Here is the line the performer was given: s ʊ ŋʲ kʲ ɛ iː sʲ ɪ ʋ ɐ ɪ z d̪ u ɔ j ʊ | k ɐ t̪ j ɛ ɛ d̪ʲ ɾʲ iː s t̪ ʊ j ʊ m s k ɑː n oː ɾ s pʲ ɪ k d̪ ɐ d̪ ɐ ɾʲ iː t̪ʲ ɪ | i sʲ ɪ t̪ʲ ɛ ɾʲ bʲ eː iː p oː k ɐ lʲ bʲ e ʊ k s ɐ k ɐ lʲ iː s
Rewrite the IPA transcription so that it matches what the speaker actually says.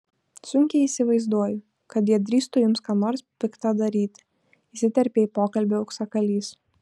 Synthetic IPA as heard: s ʊ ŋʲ kʲ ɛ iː sʲ ɪ ʋ ɐ ɪ z d̪ u ɔ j ʊ | k ɐ t̪ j i ɛ d̪ʲ ɾʲ iː s t̪ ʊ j ʊ m s k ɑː n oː ɾ s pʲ ɪ k t̪ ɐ d̪ ɐ ɾʲ iː t̪ʲ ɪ | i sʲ ɪ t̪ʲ ɛ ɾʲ pʲ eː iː p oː k ɐ lʲ bʲ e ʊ k s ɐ k ɐ lʲ iː s

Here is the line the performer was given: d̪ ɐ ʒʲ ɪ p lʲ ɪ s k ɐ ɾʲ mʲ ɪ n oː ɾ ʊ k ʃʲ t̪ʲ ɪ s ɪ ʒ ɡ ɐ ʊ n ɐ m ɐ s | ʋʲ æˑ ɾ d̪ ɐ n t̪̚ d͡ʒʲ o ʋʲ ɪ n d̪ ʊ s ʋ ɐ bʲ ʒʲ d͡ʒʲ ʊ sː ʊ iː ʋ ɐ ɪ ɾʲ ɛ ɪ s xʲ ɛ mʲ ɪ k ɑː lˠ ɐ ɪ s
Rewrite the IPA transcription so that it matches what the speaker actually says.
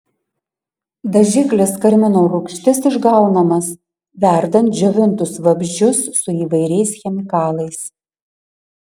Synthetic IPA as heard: d̪ ɐ ʒʲ ɪ k lʲ ɪ s k ɐ ɾʲ mʲ ɪ n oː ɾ ʊ k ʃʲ t̪ʲ ɪ s ɪ ʒ ɡ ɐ ʊ n ɐ m ɐ s | ʋʲ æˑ ɾ d̪ ɐ n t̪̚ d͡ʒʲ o ʋʲ ɪ n t̪ ʊ s ʋ ɐ bʲ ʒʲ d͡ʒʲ ʊ sː ʊ iː ʋ ɐ ɪ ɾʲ ɛ ɪ s xʲ ɛ mʲ ɪ k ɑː lˠ ɐ ɪ s

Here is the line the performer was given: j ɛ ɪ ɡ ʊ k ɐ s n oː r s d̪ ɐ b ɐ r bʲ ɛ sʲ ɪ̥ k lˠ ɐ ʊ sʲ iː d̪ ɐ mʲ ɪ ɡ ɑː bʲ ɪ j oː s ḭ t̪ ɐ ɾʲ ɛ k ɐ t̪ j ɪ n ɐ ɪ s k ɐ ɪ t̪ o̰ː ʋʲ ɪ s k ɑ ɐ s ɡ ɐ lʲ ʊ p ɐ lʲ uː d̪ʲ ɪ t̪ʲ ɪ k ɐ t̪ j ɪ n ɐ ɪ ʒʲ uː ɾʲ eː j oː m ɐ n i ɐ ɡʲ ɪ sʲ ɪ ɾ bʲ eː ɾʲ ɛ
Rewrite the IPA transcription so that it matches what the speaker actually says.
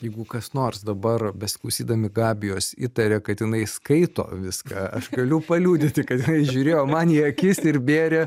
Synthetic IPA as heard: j ɛ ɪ ɡ ʊ k ɐ s n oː r s d̪ ɐ b ɐ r bʲ ɛ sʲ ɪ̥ k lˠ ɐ ʊ sʲ iː d̪ ɐ mʲ ɪ ɡ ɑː bʲ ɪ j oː s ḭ t̪ ɐ ɾʲ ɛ k ɐ t̪ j ɪ n ɐ ɪ s k ɐ ɪ t̪ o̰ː ʋʲ ɪ s k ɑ ɐ ʃ ɡ ɐ lʲ ʊ p ɐ lʲ uː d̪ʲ ɪ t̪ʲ ɪ k ɐ t̪ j ɪ n ɐ ɪ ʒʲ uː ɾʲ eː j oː m ɐ n i ɐ kʲ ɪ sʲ ɪ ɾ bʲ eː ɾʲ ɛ

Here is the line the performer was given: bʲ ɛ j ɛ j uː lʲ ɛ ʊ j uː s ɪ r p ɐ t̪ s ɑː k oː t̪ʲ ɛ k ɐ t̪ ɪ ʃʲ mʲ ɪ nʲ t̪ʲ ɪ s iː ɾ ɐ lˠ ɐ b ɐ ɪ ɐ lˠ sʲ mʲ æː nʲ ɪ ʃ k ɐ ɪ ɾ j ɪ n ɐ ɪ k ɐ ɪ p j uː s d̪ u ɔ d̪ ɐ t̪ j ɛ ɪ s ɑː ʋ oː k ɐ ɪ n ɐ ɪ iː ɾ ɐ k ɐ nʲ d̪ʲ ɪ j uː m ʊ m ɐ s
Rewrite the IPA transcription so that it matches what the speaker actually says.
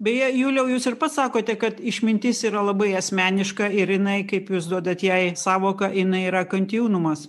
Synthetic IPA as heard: bʲ ɛ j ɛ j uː lʲ ɛ ʊ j uː s ɪ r p ɐ t̪ s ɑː k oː t̪ʲ ɛ k ɐ t̪ ɪ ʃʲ mʲ ɪ nʲ t̪ʲ ɪ s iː ɾ ɐ lˠ ɐ b ɐ ɪ ɐ sʲ mʲ æː nʲ ɪ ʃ k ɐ ɪ ɾ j ɪ n ɐ ɪ k ɐ ɪ p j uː s d̪ u ɔ d̪ ɐ t̪ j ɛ ɪ s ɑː ʋ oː k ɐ ɪ n ɐ ɪ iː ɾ ɐ k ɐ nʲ t̪ʲ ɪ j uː n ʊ m ɐ s

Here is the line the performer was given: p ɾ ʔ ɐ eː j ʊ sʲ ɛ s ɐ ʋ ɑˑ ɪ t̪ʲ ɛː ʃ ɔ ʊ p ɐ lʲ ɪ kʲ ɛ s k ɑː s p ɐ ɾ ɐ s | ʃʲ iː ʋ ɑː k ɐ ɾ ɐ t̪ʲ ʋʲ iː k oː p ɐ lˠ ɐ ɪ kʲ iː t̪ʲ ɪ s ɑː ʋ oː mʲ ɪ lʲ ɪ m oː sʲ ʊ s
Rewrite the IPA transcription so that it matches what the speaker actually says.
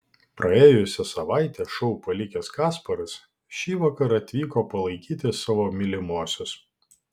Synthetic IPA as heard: p ɾ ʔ ɐ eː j ʊ sʲ ɛ s ɐ ʋ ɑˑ ɪ t̪ʲ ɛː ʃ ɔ ʊ p ɐ lʲ ɪ kʲ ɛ s k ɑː s p ɐ ɾ ɐ s | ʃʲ iː ʋ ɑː k ɐ ɾ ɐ t̪ʲ ʋʲ iː k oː p ɐ lˠ ɐ ɪ kʲ iː t̪ʲ ɪ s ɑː ʋ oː mʲ ɪ lʲ ɪ m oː sʲ ʊ s

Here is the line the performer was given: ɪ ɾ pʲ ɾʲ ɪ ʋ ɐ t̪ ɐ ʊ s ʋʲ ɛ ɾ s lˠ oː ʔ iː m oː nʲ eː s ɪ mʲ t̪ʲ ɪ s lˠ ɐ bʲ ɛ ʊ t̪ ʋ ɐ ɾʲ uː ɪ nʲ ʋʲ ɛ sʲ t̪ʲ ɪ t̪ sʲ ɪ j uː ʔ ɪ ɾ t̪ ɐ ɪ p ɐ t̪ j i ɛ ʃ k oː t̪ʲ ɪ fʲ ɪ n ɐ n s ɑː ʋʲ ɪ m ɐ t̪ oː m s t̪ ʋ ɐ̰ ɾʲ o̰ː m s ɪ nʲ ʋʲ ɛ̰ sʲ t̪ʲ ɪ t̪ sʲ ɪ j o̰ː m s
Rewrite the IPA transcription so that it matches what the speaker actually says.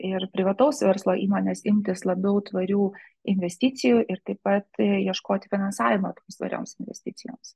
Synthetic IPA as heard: ɪ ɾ pʲ ɾʲ ɪ ʋ ɐ t̪ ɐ ʊ s ʋʲ ɛ ɾ s lˠ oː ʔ iː m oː nʲ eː s ɪ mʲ t̪ʲ ɪ s lˠ ɐ bʲ ɛ ʊ t̪ ʋ ɐ ɾʲ uː ɪ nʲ ʋʲ ɛ sʲ t̪ʲ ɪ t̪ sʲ ɪ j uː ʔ ɪ ɾ t̪ ɐ ɪ p ɐ t̪ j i ɛ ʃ k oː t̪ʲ ɪ fʲ ɪ n ɐ n s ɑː ʋʲ ɪ m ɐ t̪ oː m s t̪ ʋ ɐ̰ ɾʲ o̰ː m s ɪ nʲ ʋʲ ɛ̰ sʲ t̪ʲ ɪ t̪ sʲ ɪ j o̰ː m s

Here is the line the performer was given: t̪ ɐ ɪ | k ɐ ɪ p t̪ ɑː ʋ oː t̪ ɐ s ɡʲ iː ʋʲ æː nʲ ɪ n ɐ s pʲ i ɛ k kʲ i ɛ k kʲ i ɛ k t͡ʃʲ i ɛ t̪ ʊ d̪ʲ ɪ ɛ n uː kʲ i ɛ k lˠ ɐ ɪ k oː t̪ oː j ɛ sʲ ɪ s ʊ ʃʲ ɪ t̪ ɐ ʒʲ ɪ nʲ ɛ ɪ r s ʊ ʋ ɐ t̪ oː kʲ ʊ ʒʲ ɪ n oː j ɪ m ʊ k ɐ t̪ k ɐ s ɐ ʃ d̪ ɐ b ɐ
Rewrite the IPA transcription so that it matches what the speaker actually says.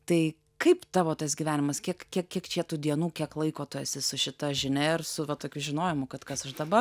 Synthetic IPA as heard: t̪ ɐ ɪ | k ɐ ɪ p t̪ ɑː ʋ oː t̪ ɐ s ɡʲ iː ʋʲ æː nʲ ɪ m ɐ s kʲ i ɛ k kʲ i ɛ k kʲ i ɛ k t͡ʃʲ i ɛ t̪ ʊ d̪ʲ i ɛ n uː kʲ i ɛ k lˠ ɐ ɪ k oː t̪ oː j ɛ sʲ ɪ s ʊ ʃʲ ɪ t̪ ɐ ʒʲ ɪ nʲ ɛ ɪ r s ʊ ʋ ɐ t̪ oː kʲ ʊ ʒʲ ɪ n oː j ɪ m ʊ k ɐ t̪ k ɐ s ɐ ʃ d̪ ɐ b ɐ

